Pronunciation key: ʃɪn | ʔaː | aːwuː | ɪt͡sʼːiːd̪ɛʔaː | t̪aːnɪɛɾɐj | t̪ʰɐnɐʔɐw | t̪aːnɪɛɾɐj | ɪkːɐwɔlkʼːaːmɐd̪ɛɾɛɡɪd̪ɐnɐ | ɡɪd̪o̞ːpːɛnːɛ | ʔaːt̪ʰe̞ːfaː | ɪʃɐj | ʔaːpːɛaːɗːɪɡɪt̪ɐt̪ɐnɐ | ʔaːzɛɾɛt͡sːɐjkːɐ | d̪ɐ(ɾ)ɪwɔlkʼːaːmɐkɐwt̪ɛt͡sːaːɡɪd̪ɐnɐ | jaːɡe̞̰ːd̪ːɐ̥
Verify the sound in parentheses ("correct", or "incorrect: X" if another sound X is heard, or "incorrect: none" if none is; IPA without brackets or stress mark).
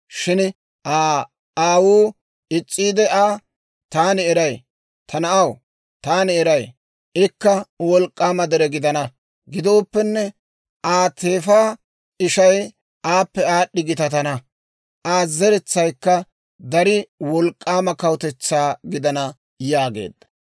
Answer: correct